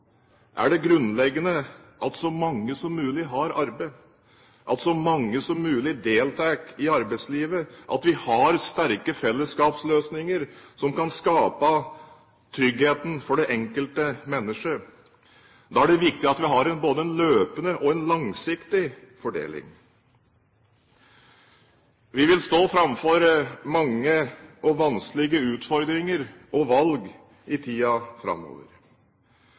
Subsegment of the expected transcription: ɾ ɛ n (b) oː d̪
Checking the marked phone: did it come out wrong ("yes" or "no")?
no